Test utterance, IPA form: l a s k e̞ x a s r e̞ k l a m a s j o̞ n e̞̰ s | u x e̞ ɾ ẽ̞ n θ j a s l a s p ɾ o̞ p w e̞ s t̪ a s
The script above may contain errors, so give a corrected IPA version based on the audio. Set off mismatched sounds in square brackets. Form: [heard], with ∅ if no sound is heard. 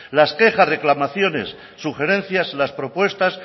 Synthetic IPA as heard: l a s k e̞ x a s r e̞ k l a m a [θ] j o̞ n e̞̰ [sː] | u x e̞ ɾ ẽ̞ n θ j a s l a s p ɾ o̞ p w e̞ s t̪ a s